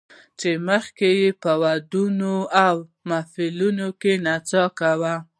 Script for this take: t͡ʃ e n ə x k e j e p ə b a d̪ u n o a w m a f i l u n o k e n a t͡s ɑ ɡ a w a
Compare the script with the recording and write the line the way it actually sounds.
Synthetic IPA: t͡ʃ e m ə x k e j e p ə w a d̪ u n o a w m a f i l u n o k e n a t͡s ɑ k a w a